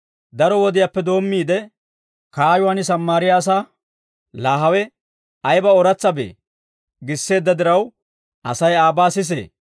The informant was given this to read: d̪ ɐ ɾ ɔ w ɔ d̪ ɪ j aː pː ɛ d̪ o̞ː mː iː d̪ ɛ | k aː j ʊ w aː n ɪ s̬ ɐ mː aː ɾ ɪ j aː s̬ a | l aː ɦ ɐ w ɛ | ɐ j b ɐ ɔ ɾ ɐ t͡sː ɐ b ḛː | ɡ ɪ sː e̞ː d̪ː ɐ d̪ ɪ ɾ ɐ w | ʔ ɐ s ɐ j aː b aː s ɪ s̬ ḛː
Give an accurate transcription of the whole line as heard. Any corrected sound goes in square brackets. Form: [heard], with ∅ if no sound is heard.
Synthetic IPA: d̪ ɐ ɾ ɔ w ɔ d̪ ɪ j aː pː ɛ d̪ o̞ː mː iː d̪ ɛ | k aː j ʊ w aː n ɪ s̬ ɐ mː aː ɾ ɪ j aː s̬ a | l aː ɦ ɐ w ɛ | ɐ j b ɐ ɔ ɾ ɐ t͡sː ɐ b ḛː | ɡ ɪ sː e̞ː d̪ː ɐ d̪ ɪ ɾ ɐ w | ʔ ɐ s ɐ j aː b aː s ɪ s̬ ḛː

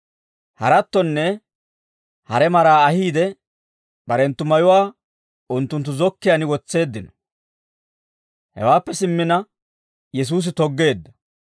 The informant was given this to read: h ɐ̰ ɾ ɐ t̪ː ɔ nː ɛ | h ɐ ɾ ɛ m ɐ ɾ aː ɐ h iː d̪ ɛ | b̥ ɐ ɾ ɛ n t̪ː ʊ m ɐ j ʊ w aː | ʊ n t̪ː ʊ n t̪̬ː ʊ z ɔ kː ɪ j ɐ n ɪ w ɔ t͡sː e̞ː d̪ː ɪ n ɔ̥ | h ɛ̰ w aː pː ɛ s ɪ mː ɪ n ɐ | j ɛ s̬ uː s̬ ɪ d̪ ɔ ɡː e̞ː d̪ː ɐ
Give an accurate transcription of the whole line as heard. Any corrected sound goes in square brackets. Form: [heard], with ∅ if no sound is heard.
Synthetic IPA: h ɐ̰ ɾ ɐ t̪ː ɔ nː ɛ | h ɐ ɾ ɛ m ɐ ɾ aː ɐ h iː d̪ ɛ | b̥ ɐ ɾ ɛ n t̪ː ʊ m ɐ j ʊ w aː | ʊ n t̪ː ʊ n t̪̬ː ʊ z ɔ kː ɪ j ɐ n ɪ w ɔ t͡sː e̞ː d̪ː ɪ n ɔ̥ | h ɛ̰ w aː pː ɛ s ɪ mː ɪ n ɐ | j ɛ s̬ uː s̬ ɪ [t̪] ɔ ɡː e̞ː d̪ː ɐ

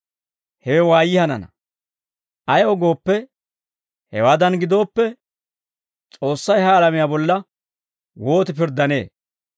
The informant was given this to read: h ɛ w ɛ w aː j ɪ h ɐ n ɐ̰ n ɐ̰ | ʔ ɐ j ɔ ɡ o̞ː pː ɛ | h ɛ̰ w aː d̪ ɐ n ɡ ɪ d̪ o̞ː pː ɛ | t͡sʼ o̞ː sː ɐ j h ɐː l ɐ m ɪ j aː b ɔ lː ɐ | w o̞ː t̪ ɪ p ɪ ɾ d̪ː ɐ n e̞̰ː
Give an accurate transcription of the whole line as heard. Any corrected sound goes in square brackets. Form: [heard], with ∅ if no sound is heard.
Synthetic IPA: h ɛ w ɛ w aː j ɪ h ɐ n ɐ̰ n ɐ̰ | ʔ ɐ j ɔ ɡ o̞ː pː ɛ | h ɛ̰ w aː d̪ ɐ n ɡ ɪ d̪ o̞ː pː ɛ | t͡sʼ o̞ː sː ɐ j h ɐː l ɐ m ɪ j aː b ɔ lː ɐ | w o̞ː t̪ ɪ p ɪ ɾ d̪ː ɐ n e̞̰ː

